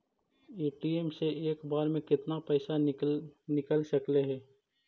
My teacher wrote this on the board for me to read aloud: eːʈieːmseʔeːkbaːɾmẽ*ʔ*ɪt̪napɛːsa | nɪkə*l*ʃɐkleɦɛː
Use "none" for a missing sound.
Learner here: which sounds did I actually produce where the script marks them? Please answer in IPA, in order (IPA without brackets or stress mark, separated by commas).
k, l